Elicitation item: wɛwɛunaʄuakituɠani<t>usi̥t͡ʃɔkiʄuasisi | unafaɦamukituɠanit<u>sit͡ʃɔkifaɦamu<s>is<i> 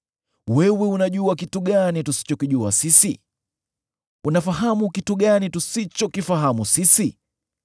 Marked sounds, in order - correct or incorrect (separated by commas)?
correct, correct, correct, correct